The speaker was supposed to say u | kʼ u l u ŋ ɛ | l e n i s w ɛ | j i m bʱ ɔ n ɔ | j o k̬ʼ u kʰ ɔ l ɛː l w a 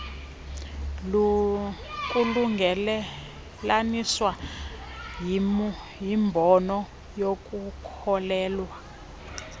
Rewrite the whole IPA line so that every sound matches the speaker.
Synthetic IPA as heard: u | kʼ u l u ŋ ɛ | l a n i s w a | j i m bʱ ɔ n ɔ | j o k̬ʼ u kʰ ɔ l ɛː l w a